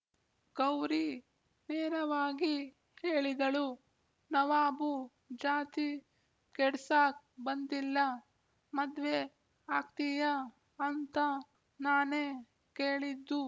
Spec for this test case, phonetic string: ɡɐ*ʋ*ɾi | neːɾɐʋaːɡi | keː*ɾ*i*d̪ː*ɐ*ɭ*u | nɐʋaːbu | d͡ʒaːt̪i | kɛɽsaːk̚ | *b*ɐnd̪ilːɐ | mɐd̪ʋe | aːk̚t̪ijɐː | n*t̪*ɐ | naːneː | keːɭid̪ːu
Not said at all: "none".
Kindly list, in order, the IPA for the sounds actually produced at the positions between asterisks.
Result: w, ɭ, d̪, ɭ, b, t̪

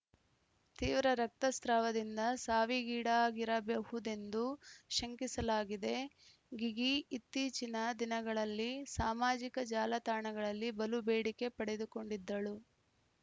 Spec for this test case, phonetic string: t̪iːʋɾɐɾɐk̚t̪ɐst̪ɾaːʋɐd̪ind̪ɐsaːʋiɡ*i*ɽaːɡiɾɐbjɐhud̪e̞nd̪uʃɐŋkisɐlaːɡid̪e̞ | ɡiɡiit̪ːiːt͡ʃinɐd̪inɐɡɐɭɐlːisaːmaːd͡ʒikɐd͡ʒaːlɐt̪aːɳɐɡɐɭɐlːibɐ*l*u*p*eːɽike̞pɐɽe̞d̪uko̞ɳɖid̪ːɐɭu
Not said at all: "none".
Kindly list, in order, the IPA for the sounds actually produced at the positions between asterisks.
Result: iː, l, b

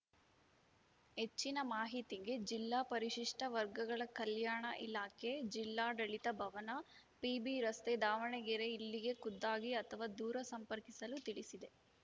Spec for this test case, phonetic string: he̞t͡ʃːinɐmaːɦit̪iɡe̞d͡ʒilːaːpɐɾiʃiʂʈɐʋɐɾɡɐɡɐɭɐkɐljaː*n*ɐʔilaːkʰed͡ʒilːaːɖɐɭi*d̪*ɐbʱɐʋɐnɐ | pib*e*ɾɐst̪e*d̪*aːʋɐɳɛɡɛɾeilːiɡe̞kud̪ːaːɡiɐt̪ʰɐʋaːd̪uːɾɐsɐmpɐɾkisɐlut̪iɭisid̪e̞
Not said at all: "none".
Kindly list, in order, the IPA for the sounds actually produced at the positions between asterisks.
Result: ɳ, t̪, i, d̪

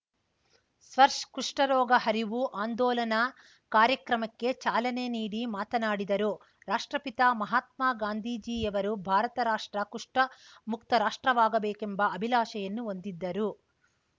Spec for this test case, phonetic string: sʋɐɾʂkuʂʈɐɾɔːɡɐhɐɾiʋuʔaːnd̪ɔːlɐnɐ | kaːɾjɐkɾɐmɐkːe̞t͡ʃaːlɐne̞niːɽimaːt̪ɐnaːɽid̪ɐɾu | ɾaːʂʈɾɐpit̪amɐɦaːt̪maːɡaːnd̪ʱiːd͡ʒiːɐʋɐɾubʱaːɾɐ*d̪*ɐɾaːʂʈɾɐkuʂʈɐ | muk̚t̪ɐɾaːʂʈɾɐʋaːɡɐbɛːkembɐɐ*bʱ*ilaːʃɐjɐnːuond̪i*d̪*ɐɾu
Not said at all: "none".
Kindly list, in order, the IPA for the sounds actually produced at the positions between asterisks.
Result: t̪, bʱ, d̪ː

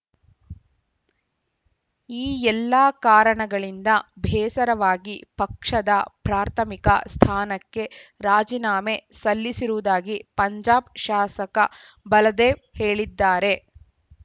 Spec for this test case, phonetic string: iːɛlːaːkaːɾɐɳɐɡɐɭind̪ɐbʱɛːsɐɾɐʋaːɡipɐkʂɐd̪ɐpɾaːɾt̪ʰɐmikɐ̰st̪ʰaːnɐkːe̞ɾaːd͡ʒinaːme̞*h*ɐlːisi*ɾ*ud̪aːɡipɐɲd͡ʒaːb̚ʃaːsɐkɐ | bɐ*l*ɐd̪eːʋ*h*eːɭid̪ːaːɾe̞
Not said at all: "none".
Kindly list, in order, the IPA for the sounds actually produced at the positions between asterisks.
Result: s, ɾ, l, h

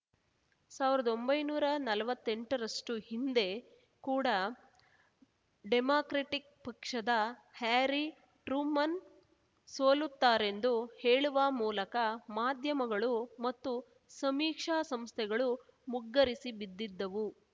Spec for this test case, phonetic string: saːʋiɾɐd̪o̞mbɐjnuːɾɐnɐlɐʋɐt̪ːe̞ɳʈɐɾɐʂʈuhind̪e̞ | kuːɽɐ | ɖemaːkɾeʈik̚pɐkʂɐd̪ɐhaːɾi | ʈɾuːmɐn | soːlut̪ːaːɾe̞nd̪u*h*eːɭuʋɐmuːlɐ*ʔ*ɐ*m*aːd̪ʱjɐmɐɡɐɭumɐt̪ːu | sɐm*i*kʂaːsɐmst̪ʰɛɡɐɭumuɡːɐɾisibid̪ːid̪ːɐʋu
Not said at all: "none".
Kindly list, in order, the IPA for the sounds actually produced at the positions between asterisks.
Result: h, k, m, iː

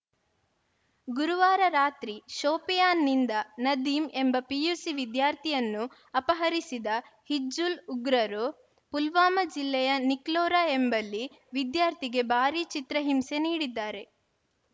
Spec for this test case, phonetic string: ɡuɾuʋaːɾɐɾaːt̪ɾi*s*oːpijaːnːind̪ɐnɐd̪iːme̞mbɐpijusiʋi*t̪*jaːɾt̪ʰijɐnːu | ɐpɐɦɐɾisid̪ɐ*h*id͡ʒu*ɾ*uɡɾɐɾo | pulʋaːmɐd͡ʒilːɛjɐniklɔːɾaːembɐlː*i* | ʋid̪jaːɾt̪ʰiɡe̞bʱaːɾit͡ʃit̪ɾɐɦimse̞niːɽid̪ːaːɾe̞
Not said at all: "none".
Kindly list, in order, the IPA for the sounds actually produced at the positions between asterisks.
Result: ʃ, d̪, h, l, i

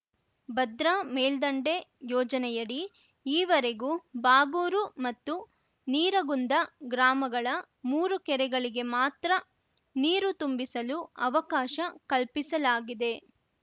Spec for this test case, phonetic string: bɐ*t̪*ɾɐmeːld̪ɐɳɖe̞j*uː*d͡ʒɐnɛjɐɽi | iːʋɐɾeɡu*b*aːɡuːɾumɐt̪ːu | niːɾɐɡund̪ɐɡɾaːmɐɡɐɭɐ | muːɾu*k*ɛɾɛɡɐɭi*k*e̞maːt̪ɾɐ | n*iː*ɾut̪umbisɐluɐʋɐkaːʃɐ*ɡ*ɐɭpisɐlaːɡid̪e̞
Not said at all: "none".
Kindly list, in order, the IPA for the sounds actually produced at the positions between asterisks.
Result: d̪, ɔː, b, k, ɡ, iː, k

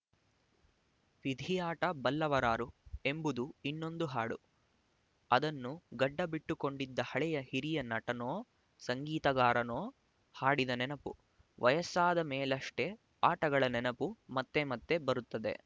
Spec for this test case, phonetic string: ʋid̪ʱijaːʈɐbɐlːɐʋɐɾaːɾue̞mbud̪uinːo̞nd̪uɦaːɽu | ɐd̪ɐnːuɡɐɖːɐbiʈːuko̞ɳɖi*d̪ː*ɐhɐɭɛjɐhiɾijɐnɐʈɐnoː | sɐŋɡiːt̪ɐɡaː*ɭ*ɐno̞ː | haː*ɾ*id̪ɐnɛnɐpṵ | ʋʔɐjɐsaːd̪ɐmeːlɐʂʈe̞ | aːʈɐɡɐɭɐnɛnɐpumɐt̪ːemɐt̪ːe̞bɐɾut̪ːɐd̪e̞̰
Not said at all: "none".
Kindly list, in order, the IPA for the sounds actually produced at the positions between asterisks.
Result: d̪ː, ɾ, ɽ

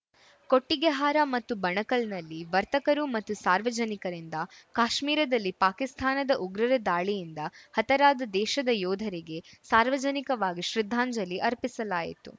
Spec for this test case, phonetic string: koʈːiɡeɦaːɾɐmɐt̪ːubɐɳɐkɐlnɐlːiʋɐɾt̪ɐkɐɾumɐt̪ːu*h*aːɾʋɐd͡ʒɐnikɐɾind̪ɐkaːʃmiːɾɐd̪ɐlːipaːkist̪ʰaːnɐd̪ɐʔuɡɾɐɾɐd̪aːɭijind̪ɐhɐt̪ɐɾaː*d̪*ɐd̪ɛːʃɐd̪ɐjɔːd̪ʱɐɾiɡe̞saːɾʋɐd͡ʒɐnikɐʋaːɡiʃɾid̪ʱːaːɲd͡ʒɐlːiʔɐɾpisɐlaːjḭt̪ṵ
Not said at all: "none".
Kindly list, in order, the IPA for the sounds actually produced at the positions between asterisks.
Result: s, d̪

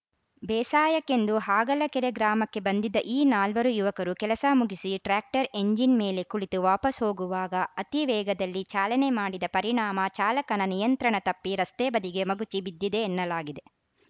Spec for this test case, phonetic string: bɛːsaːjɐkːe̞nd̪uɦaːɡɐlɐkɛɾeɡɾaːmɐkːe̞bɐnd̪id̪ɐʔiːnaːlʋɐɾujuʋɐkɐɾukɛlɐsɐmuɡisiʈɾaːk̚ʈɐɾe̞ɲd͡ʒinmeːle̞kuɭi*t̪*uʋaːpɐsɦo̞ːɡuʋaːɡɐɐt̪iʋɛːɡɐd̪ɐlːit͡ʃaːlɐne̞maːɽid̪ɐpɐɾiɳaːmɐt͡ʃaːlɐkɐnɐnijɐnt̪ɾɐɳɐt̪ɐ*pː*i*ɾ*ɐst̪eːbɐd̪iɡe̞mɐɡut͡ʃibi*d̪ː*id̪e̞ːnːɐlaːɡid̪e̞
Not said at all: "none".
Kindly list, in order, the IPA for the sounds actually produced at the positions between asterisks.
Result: t̪, pː, ɾ, d̪ː

